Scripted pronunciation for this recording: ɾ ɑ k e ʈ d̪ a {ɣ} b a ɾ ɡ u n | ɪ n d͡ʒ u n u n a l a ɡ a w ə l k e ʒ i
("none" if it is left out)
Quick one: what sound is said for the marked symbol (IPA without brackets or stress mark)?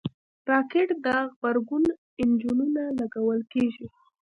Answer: ɣ